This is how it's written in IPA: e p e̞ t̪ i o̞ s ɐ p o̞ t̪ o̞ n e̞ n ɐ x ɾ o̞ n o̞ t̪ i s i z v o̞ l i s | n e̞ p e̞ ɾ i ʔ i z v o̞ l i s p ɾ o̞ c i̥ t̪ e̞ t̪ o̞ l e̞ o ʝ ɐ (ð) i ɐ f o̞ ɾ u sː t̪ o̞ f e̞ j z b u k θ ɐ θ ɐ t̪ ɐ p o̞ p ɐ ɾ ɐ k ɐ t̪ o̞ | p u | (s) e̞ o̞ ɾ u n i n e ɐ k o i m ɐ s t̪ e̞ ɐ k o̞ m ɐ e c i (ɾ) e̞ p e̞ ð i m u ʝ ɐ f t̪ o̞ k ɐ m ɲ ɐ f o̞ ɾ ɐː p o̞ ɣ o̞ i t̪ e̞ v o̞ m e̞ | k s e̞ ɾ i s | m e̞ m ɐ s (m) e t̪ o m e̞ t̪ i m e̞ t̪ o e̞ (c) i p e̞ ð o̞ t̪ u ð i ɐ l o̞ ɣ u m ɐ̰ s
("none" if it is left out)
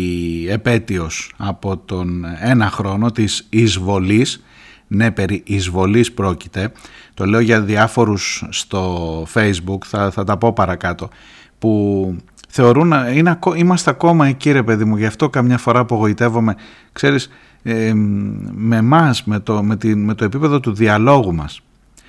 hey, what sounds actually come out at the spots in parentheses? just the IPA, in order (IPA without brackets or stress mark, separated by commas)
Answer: ð, θ, ɾ, m, p